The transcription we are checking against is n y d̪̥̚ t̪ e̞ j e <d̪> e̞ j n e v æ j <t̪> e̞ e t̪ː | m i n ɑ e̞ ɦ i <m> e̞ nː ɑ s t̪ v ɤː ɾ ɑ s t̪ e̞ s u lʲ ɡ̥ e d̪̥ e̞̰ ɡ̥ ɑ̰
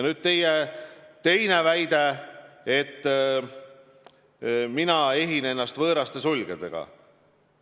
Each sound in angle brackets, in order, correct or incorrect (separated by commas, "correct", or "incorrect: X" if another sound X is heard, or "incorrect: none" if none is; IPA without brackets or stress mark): incorrect: t̪, incorrect: d̪, incorrect: n